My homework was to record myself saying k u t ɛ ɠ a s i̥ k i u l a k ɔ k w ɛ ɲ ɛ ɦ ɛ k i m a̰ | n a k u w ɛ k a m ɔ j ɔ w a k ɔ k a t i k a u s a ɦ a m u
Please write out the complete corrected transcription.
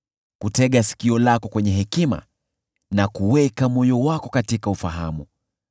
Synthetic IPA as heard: k u t ɛ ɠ a s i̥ k i ɔ l a k ɔ k w ɛ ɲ ɛ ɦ ɛ k i m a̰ | n a k u w ɛ k a m ɔ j ɔ w a k ɔ k a t i k a u f a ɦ a m u